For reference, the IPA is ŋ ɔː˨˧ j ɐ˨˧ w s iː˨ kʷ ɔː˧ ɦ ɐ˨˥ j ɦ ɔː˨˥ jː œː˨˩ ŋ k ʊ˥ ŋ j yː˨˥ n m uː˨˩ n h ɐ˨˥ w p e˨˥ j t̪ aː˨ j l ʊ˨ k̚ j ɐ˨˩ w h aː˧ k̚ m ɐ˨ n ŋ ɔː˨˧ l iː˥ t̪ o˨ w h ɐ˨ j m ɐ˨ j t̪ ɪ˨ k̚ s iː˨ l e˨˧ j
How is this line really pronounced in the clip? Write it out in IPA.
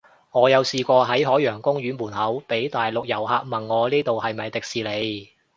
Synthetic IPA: ŋ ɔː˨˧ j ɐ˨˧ w s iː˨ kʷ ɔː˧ ɦ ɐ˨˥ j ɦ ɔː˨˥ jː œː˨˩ ŋ k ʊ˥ ŋ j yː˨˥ n m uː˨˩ n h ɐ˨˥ w p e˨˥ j t̪ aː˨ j l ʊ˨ k̚ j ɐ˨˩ w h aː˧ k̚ m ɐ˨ n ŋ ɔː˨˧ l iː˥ t̪ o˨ w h ɐ˨ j m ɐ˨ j t̪ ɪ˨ k̚ s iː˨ l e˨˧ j

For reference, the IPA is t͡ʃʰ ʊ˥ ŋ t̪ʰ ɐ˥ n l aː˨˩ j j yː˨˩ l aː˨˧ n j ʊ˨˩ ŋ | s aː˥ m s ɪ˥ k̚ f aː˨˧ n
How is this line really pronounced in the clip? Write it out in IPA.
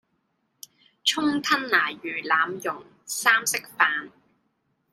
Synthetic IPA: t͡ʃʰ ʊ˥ ŋ t̪ʰ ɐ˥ n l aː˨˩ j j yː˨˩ l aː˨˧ m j ʊ˨˩ ŋ | s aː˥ m s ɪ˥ k̚ f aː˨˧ n

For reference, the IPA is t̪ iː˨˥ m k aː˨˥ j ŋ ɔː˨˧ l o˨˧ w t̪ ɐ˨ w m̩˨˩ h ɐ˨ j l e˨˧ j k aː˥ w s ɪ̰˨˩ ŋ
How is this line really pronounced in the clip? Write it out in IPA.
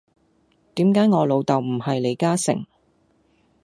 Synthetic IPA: t̪ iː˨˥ m k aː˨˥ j ŋ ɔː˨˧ l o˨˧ w t̪ ɐ˨ w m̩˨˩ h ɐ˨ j l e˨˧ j k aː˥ s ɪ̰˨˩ ŋ

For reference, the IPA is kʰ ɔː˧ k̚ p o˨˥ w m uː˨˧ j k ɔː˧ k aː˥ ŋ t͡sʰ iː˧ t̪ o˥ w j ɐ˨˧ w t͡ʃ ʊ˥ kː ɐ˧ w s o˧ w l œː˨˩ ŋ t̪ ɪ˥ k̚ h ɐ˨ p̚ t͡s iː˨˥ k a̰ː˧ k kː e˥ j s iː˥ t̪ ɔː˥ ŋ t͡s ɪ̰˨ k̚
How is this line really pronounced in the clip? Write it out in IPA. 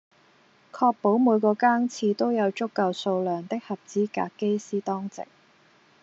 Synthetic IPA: kʰ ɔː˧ k̚ p o˨˥ w m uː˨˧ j k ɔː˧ k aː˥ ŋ t͡sʰ iː˧ t̪ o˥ w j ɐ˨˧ w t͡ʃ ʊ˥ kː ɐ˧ w s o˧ w l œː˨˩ ŋ t̪ ɪ˥ k̚ h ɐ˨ p̚ t͡s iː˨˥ k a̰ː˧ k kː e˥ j s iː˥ t̪ ɔː˥ ŋ t͡s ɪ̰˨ k̚

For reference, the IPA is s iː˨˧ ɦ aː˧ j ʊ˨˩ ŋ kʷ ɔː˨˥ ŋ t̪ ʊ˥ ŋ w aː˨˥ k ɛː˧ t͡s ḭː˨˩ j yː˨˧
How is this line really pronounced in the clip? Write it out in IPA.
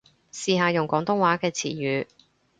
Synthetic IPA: s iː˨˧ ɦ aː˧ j ʊ˨˩ ŋ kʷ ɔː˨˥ ŋ t̪ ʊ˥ ŋ w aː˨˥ k ɛː˧ t͡sʰ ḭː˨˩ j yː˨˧

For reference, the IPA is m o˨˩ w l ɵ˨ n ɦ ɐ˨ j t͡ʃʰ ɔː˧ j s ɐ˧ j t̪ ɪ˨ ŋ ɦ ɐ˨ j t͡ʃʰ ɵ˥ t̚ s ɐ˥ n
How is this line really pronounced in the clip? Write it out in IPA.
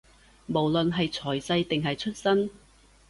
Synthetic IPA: m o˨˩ w l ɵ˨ n ɦ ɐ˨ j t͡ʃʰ ɔː˨˩ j s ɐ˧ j t̪ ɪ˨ ŋ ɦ ɐ˨ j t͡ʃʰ ɵ˥ t̚ s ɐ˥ n

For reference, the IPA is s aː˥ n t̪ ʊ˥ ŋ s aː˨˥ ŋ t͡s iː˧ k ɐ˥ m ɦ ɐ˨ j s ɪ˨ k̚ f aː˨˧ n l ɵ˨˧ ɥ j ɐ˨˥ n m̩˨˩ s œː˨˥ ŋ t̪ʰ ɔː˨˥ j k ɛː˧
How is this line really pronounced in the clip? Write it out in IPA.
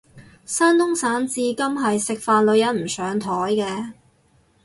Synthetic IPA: s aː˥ n t̪ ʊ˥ ŋ s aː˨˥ n t͡s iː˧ k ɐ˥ m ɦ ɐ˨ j s ɪ˨ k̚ f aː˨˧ n l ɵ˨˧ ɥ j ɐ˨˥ n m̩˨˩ s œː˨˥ ŋ t̪ʰ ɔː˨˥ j k ɛː˧

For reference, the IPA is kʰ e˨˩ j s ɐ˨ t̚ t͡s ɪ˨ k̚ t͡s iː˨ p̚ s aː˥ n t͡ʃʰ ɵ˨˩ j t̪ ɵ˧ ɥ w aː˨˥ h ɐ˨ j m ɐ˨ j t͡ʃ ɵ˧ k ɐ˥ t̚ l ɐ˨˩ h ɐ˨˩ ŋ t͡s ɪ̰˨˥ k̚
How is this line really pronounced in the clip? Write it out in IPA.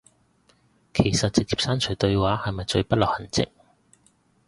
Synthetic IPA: kʰ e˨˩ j s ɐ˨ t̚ t͡s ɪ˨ k̚ t͡s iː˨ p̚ s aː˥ n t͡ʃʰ ɵ˨˩ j t̪ ɵ˧ ɥ w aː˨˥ h ɐ˨ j m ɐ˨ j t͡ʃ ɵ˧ p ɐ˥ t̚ l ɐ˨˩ h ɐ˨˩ n t͡s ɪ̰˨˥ k̚

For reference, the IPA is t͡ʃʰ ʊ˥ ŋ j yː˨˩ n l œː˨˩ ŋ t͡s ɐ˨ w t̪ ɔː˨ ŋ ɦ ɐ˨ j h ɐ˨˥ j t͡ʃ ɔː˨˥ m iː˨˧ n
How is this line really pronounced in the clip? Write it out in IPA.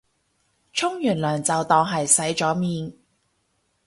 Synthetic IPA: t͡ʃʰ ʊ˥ ŋ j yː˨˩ n l œː˨˩ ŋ t͡s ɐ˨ w t̪ ɔː˨ ŋ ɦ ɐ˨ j s ɐ˨˥ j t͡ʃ ɔː˨˥ m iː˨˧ n

